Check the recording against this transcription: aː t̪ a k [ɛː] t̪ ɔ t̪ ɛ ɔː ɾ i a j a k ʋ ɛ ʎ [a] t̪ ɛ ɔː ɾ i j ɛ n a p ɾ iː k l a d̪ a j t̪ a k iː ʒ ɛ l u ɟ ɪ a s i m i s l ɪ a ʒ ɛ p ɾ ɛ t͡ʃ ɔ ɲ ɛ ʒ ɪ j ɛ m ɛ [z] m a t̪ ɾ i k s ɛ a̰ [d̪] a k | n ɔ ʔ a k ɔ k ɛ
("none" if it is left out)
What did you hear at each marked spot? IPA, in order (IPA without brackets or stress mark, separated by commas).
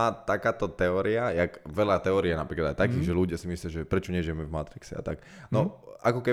aː, a, v, t̪